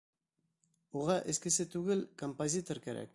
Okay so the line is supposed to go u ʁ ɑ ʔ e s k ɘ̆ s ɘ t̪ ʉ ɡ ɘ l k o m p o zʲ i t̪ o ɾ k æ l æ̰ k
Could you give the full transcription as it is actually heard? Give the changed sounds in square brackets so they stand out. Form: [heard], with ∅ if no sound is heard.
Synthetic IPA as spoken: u ʁ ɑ ʔ e s k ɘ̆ s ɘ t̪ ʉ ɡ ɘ l k o m p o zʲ i t̪ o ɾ k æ [ɾ] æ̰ k